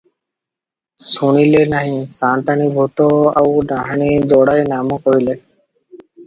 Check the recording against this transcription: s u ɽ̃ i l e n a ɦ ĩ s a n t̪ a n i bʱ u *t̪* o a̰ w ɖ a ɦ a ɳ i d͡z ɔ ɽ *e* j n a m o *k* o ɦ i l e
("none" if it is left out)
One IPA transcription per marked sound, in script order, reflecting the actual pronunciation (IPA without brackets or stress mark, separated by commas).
t̪, a, k